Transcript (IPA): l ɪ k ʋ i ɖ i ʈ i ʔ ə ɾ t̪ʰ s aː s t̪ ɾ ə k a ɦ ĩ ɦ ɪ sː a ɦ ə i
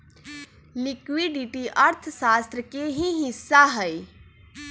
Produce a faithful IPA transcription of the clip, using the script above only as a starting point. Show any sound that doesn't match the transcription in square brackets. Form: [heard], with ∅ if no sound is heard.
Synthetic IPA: l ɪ k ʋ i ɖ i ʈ i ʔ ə ɾ t̪ʰ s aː s t̪ ɾ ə k [e] ɦ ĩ ɦ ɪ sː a ɦ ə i